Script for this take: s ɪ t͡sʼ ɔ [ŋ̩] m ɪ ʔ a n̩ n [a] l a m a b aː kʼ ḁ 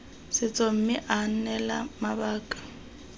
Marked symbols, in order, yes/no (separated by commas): no, no